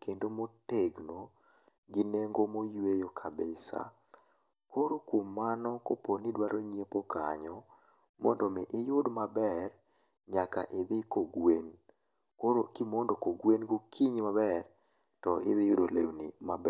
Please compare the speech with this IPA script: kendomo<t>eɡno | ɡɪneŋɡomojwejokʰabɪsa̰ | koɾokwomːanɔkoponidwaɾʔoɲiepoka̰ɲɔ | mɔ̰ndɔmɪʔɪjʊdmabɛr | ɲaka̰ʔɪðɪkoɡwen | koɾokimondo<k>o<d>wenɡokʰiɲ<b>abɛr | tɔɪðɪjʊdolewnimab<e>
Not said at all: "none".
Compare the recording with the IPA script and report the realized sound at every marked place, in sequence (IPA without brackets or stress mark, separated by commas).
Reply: t, k, ɡ, m, ɛ